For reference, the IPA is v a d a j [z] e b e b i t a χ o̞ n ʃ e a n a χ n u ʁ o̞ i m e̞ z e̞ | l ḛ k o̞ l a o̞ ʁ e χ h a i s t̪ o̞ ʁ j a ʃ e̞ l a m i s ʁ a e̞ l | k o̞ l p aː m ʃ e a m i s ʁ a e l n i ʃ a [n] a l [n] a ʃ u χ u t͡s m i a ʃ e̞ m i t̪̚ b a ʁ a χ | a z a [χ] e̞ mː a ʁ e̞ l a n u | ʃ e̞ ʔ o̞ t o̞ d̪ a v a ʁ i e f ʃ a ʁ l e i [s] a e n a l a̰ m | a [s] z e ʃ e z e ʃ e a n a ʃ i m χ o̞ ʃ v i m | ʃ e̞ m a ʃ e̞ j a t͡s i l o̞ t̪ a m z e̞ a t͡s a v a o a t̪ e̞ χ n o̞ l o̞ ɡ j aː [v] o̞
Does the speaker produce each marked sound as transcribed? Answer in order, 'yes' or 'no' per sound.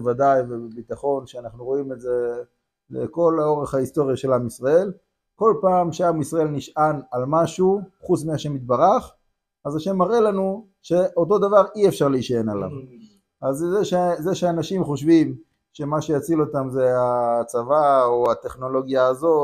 no, yes, no, no, no, no, no

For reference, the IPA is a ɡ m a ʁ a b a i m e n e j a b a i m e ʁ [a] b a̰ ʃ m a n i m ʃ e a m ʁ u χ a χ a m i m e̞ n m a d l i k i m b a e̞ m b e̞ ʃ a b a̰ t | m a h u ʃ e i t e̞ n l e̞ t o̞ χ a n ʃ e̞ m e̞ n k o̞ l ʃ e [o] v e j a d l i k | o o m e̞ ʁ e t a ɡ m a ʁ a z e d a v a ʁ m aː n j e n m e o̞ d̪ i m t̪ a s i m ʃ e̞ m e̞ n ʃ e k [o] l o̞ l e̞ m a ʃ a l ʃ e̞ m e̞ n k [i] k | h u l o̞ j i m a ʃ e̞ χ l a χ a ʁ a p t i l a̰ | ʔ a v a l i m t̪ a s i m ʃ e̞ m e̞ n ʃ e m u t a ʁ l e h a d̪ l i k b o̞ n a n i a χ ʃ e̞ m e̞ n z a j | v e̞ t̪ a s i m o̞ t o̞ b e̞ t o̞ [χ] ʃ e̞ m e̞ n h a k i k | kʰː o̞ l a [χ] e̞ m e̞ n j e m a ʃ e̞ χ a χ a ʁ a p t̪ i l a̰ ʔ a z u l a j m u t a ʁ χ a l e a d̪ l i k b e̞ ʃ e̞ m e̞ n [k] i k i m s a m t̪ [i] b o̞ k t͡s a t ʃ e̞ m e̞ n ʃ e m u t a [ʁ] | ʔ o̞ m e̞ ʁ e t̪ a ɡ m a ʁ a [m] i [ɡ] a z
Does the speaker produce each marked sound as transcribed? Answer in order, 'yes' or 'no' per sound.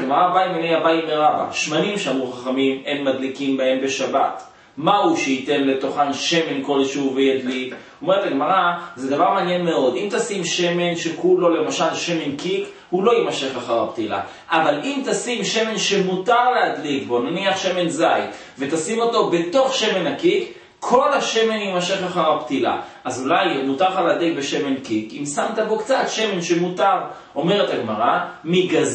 yes, no, no, yes, yes, no, yes, no, yes, yes, yes

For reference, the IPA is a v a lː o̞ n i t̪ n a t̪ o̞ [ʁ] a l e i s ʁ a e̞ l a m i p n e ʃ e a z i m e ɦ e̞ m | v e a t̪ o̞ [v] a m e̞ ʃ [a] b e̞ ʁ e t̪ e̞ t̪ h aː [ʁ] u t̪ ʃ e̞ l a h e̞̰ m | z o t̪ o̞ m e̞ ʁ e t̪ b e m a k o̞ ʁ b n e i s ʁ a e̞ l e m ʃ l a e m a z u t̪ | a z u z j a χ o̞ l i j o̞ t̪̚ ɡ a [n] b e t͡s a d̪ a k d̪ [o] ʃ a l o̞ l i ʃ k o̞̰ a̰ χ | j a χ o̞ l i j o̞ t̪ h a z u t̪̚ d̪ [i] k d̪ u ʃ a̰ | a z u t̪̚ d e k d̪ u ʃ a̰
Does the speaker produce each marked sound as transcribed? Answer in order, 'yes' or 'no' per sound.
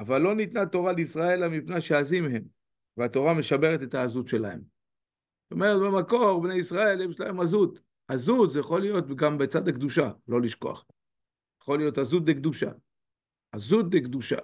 yes, no, yes, no, no, no, no

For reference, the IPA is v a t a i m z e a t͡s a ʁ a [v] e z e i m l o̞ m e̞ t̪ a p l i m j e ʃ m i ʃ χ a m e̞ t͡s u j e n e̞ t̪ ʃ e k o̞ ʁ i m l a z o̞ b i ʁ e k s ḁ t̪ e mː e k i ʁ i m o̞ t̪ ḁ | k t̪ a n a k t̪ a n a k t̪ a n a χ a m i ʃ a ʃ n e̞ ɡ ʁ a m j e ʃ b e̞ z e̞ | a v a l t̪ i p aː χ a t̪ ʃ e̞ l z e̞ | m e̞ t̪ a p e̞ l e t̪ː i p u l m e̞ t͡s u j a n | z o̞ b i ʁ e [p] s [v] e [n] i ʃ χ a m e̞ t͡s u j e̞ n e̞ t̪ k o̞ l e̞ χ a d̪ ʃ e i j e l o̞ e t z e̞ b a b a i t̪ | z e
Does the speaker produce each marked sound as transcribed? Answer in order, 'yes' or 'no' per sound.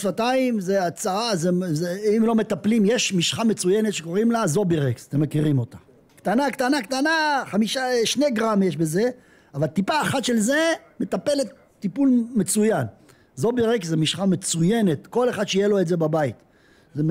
no, no, no, no

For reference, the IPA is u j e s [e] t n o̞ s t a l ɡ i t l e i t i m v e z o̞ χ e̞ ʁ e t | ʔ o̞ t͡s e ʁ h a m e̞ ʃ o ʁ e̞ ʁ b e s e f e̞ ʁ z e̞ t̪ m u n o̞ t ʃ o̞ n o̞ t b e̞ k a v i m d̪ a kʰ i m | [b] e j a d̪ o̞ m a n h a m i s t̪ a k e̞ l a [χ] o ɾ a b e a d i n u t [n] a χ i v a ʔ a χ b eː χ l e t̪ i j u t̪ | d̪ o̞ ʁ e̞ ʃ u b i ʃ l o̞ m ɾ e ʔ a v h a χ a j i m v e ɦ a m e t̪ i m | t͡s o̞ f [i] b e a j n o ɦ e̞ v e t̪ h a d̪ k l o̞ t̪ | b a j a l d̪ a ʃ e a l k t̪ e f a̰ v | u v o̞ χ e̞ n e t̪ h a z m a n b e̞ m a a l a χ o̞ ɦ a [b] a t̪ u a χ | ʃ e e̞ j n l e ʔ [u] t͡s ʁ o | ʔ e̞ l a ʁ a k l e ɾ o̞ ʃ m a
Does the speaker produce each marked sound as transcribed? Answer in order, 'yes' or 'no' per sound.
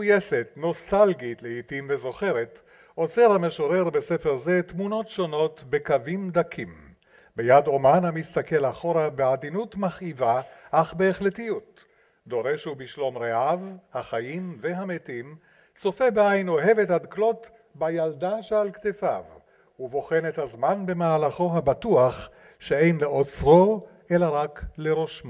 yes, yes, yes, no, no, yes, no

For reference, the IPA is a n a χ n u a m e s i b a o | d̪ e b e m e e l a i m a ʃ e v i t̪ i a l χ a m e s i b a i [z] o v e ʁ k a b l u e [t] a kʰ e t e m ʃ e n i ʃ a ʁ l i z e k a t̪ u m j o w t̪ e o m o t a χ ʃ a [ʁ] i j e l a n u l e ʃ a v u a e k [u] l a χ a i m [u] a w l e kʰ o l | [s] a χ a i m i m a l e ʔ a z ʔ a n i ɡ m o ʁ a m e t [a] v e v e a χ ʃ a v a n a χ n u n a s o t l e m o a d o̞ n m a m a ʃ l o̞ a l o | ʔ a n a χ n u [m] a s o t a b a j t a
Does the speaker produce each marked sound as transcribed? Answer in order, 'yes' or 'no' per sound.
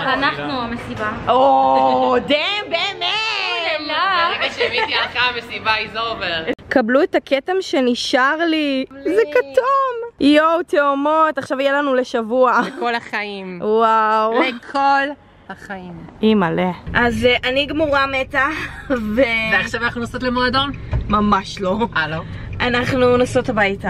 yes, yes, no, no, no, no, yes, no

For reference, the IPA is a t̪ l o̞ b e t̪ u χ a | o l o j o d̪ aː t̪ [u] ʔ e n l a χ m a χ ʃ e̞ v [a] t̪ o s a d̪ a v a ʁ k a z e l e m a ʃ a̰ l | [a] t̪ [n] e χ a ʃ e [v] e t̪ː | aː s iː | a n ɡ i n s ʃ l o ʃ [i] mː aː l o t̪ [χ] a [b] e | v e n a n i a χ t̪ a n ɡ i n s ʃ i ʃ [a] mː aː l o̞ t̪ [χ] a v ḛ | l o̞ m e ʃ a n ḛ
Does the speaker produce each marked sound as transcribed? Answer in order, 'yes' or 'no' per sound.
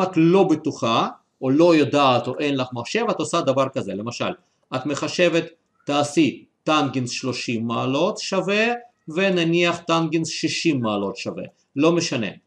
no, yes, yes, no, yes, yes, no, no, no, no

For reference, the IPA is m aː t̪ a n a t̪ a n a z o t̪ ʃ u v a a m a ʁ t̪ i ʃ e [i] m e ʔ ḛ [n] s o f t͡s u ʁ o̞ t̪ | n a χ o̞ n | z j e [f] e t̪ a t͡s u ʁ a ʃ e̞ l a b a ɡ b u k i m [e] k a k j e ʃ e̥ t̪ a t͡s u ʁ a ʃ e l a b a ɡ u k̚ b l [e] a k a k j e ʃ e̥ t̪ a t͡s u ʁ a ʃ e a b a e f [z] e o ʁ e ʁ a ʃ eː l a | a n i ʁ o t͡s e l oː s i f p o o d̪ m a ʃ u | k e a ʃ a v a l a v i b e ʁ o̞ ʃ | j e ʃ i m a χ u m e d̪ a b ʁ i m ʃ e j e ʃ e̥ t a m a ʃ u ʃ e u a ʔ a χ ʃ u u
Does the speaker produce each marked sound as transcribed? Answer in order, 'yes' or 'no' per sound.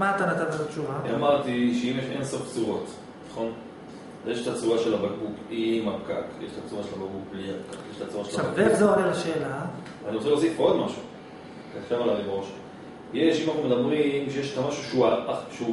yes, yes, no, no, no, yes

